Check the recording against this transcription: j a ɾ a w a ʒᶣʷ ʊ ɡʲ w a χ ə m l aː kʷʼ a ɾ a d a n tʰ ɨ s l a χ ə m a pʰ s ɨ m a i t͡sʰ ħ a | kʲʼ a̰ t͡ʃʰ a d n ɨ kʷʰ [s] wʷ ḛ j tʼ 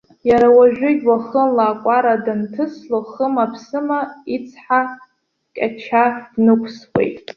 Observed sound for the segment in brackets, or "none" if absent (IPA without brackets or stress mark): s